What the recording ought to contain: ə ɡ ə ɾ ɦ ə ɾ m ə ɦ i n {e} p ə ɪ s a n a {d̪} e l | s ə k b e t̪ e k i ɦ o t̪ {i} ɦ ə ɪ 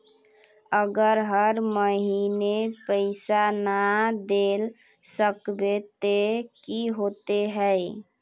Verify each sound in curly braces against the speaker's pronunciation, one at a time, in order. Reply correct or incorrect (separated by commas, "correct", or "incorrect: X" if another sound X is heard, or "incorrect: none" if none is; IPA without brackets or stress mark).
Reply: correct, correct, incorrect: e